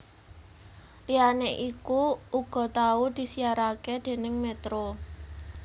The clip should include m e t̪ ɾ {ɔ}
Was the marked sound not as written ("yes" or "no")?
yes